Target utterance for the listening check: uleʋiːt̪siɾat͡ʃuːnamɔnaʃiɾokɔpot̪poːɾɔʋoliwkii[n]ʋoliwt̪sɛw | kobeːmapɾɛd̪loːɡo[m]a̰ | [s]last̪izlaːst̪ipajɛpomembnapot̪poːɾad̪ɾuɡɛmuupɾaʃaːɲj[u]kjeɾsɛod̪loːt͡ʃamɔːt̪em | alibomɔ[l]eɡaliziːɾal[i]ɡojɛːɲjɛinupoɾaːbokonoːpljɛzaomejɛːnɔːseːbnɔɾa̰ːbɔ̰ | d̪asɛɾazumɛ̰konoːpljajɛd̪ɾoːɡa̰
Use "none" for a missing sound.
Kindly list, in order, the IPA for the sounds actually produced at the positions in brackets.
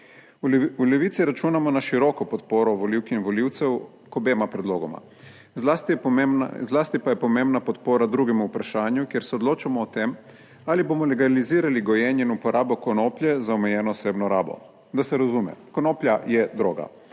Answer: n, m, z, u, l, i

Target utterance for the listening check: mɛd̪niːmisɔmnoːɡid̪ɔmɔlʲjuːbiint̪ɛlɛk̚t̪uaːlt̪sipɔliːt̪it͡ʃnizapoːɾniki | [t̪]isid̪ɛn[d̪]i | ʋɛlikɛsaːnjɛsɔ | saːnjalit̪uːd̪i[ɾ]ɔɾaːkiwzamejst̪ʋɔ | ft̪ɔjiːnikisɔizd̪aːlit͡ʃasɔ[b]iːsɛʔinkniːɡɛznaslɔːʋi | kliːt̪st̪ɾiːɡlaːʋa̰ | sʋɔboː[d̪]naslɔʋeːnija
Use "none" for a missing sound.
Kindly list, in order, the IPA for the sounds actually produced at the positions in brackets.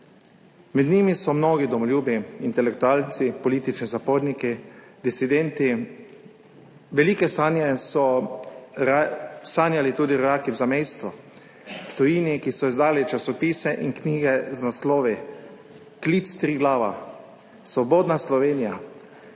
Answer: d̪, t̪, ɾ, p, d̪

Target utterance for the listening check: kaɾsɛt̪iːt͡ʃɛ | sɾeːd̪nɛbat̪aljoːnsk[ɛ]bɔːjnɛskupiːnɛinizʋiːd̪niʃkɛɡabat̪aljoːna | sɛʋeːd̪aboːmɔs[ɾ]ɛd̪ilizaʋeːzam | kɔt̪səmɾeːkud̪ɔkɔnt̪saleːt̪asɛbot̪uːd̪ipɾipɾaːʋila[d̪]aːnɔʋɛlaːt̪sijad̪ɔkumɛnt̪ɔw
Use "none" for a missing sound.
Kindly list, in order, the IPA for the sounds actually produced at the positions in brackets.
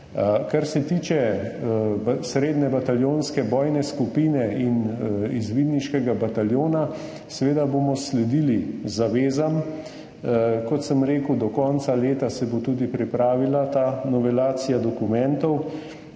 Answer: ɛ, l, t̪

